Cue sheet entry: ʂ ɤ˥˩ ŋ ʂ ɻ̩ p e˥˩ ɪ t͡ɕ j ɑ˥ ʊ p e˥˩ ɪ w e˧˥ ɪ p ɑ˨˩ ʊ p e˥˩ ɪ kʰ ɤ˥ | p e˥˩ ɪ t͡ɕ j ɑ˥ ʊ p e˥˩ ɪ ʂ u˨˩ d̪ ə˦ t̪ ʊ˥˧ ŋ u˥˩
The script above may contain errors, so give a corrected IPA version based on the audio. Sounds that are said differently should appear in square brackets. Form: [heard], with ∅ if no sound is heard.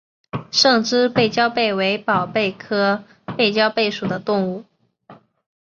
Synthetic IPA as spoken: ʂ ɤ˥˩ ŋ [ʈ͡ʂ] ɻ̩ p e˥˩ ɪ t͡ɕ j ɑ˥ ʊ p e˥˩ ɪ w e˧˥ ɪ p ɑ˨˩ ʊ p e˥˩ ɪ kʰ ɤ˥ | p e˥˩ ɪ t͡ɕ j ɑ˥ ʊ p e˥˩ ɪ ʂ u˨˩ d̪ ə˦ t̪ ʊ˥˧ ŋ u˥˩

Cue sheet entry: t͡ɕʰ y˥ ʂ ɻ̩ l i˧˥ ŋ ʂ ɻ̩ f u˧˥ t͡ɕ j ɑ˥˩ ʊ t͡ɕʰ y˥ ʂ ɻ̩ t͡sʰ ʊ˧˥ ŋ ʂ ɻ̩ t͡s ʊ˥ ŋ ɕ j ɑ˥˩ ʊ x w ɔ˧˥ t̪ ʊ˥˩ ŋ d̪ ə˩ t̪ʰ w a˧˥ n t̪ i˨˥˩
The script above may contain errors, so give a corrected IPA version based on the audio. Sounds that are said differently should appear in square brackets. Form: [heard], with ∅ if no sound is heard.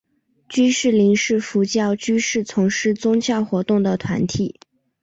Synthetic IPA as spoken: [t͡ɕ] y˥ ʂ ɻ̩ l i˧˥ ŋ ʂ ɻ̩ f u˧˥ t͡ɕ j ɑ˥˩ ʊ [t͡ɕ] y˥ ʂ ɻ̩ t͡sʰ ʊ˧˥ ŋ ʂ ɻ̩ t͡s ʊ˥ ŋ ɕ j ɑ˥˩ ʊ x w ɔ˧˥ t̪ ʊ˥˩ ŋ d̪ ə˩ t̪ʰ w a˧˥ n [t̪ʰ] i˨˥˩

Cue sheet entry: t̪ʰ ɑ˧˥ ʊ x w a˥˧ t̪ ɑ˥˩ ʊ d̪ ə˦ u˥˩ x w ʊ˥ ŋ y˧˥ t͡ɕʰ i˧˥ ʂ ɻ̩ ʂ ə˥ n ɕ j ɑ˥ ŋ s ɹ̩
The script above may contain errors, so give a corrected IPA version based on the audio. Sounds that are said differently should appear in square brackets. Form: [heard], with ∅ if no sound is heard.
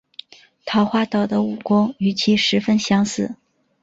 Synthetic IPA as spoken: t̪ʰ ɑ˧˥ ʊ x w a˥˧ t̪ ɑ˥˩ ʊ d̪ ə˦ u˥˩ [k] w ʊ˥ ŋ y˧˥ t͡ɕʰ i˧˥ ʂ ɻ̩ [f] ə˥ n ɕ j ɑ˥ ŋ s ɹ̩

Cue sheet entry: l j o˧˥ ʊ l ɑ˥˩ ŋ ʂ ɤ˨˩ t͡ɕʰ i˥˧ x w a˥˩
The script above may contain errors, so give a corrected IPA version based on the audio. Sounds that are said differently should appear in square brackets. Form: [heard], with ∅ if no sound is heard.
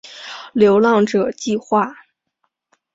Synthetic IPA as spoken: l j o˧˥ ʊ l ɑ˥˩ ŋ [ʈ͡ʂ] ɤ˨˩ [t͡ɕ] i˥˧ x w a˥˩

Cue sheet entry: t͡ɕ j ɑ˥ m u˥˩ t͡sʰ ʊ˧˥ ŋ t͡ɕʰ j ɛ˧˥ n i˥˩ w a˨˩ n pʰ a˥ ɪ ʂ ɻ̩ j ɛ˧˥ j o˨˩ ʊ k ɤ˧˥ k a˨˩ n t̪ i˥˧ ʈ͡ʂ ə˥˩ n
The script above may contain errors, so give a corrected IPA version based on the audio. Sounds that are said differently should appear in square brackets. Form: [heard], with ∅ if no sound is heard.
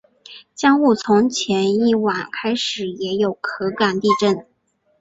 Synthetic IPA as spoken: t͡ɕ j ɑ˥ [ŋ] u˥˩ t͡sʰ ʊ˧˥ ŋ t͡ɕʰ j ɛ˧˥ n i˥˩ w a˨˩ n [kʰ] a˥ ɪ ʂ ɻ̩ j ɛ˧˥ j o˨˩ ʊ [kʰ] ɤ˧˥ k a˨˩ n t̪ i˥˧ ʈ͡ʂ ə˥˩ n

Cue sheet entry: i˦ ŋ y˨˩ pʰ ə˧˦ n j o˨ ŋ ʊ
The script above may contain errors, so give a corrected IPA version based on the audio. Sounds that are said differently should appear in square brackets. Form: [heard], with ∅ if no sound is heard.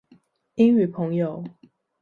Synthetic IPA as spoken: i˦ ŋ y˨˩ pʰ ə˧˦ [ŋ] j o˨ [∅] ʊ

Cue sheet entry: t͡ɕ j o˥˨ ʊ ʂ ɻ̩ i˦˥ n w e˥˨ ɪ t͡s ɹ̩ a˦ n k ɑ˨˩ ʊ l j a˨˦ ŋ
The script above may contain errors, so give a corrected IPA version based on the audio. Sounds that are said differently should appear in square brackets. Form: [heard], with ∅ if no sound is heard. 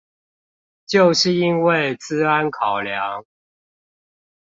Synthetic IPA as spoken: t͡ɕ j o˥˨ ʊ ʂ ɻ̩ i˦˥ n w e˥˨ ɪ t͡s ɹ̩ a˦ n [kʰ] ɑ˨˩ ʊ l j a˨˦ ŋ

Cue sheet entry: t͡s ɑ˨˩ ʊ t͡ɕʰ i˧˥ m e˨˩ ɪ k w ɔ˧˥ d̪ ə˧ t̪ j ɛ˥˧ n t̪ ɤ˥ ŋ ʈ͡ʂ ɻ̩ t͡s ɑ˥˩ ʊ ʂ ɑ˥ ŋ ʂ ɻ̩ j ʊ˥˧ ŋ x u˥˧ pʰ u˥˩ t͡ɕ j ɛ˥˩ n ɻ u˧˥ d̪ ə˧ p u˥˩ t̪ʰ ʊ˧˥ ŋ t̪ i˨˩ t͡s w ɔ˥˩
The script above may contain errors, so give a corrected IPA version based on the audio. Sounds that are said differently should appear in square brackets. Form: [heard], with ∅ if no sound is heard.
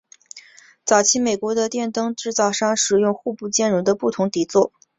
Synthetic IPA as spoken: t͡s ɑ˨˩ ʊ t͡ɕʰ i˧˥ m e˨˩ ɪ k w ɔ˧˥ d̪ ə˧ t̪ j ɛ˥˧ n t̪ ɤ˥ ŋ ʈ͡ʂ ɻ̩ t͡s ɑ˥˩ ʊ ʂ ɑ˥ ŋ ʂ ɻ̩ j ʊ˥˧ ŋ x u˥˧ [p] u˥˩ t͡ɕ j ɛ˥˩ n ɻ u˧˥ d̪ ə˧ p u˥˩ t̪ʰ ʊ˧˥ ŋ t̪ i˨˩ t͡s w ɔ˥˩

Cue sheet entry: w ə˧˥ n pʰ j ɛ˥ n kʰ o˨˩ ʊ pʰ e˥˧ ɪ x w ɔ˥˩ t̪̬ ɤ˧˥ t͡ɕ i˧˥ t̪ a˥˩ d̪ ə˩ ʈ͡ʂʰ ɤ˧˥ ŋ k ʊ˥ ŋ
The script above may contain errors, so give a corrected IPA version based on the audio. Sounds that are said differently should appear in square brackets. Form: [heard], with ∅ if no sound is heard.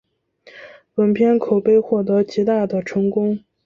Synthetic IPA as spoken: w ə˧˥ n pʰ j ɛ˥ n kʰ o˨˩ ʊ [p] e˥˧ ɪ x w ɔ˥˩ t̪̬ ɤ˧˥ t͡ɕ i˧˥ t̪ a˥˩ d̪ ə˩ ʈ͡ʂʰ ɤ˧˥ ŋ k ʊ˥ ŋ

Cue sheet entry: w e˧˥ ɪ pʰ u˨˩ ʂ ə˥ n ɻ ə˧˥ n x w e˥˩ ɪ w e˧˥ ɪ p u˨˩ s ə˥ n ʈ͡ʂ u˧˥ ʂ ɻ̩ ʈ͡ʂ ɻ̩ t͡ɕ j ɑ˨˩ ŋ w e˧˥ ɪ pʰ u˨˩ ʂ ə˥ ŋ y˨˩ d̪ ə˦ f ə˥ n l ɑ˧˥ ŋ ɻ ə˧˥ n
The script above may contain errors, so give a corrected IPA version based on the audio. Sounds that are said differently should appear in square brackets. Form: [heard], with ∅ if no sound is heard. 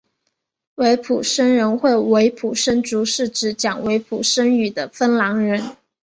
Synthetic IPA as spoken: w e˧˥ ɪ pʰ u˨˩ ʂ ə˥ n ɻ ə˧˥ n x w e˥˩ ɪ w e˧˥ ɪ [pʰ] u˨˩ [ʂ] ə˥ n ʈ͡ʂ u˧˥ ʂ ɻ̩ ʈ͡ʂ ɻ̩ t͡ɕ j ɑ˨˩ ŋ w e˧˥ ɪ pʰ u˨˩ ʂ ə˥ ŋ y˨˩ d̪ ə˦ f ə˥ n l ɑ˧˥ ŋ ɻ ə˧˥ n

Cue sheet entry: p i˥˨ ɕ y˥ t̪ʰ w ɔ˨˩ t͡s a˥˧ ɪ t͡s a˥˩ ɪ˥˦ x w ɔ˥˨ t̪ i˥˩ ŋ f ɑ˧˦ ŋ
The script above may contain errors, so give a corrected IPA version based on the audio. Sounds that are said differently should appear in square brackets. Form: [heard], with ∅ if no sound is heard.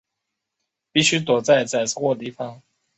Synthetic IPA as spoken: p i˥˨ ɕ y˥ [t̪] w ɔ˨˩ t͡s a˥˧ ɪ t͡s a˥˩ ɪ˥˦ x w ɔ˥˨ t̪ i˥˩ [∅] f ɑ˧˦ ŋ

